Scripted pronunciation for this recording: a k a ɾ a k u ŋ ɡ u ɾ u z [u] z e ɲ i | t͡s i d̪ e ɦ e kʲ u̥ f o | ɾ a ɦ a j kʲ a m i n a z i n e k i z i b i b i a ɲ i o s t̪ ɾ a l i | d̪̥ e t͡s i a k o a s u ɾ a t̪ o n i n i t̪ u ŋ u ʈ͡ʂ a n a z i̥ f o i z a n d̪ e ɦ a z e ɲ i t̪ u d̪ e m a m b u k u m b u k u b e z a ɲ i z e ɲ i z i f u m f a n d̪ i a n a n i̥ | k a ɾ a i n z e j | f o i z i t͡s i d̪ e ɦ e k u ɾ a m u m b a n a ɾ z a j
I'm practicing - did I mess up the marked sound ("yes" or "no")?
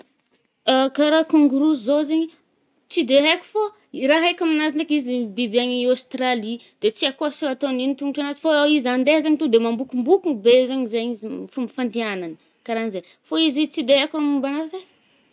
yes